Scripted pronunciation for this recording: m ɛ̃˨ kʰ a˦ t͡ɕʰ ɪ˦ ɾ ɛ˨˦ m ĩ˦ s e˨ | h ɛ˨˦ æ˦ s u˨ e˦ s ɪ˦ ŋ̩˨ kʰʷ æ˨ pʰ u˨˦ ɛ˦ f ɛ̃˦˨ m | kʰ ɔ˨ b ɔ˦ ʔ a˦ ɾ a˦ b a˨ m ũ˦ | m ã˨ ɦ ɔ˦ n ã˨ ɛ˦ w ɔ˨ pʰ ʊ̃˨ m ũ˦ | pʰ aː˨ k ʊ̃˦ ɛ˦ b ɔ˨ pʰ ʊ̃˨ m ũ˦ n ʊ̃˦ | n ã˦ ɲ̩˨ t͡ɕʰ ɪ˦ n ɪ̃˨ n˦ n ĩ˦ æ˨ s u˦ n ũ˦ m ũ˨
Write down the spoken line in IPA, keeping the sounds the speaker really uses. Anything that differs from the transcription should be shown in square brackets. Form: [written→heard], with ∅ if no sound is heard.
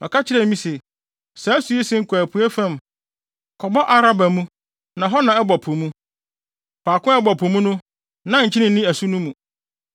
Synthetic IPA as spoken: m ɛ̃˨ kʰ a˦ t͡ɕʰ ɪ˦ ɾ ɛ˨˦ m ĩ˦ s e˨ | [h→s] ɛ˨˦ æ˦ s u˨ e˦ s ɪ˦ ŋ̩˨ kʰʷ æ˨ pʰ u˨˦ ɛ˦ f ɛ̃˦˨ m | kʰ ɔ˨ b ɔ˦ ʔ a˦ ɾ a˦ b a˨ m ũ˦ | [m→n] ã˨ ɦ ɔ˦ n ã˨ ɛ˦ [w→b] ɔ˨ pʰ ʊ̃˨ m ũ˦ | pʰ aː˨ k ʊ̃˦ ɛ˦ b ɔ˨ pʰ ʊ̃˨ m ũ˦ n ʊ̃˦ | n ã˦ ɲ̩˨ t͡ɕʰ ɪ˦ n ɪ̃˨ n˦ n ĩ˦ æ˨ s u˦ n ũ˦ m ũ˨